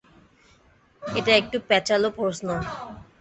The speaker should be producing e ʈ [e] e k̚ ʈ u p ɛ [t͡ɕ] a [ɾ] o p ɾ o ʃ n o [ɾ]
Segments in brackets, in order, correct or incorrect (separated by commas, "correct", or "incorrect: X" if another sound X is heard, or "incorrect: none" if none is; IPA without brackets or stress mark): incorrect: a, correct, incorrect: l, incorrect: none